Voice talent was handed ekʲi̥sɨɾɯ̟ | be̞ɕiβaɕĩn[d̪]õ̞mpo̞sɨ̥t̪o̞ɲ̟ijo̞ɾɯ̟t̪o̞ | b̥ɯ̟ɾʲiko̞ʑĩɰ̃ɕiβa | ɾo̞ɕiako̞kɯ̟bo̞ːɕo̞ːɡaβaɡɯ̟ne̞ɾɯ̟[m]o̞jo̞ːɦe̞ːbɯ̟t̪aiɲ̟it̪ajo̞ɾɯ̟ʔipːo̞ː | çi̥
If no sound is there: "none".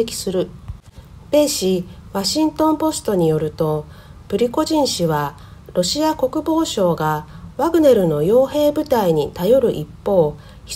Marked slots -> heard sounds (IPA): t̪, n

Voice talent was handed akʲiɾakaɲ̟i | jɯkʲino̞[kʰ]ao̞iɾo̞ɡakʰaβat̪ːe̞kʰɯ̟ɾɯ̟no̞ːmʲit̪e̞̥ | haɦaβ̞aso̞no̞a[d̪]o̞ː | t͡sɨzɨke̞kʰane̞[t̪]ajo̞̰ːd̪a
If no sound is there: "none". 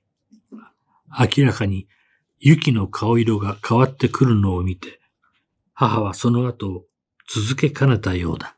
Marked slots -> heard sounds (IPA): kʰ, t̪, t̪

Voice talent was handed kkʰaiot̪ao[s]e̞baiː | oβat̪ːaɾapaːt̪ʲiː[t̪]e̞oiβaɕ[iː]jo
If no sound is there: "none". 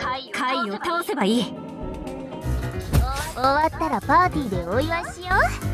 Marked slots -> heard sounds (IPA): s, d̪, i

